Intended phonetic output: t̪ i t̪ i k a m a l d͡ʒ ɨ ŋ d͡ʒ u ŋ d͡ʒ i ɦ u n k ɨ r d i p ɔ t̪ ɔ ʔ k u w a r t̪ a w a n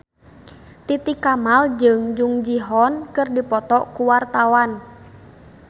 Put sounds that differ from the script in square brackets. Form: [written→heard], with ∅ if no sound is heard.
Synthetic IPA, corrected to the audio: t̪ i t̪ i k a m a l d͡ʒ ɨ ŋ d͡ʒ u ŋ d͡ʒ i ɦ [u→ɔ] n k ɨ r d i p ɔ t̪ ɔ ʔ k u w a r t̪ a w a n